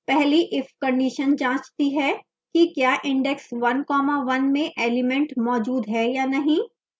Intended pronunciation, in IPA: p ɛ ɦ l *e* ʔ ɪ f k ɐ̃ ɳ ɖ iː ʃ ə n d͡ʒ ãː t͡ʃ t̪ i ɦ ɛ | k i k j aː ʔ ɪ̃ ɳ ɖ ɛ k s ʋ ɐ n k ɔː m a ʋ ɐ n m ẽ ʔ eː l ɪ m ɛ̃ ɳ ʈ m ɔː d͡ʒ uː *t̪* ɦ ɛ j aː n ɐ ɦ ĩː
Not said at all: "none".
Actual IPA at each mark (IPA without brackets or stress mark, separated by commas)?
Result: i, d̪